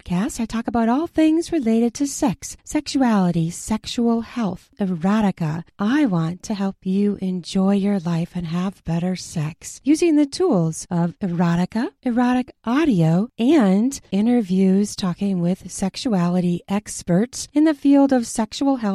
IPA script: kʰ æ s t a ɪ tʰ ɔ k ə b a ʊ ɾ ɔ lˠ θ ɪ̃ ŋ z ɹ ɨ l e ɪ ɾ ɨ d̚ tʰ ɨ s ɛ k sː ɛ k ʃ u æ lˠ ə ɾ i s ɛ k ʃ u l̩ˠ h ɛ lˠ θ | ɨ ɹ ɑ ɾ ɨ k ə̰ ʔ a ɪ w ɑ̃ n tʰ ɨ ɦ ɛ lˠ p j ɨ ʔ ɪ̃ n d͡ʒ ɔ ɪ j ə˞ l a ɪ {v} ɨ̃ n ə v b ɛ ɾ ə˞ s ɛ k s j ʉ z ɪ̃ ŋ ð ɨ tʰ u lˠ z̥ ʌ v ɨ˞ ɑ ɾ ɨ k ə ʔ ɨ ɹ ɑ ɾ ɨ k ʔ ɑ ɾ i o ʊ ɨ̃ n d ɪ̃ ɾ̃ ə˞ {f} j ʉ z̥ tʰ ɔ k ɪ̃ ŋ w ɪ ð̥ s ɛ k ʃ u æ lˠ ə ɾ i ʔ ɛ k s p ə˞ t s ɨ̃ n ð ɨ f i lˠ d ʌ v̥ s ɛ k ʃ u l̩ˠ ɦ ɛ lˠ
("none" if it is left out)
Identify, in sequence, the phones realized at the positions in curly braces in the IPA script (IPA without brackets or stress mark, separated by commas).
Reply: f, v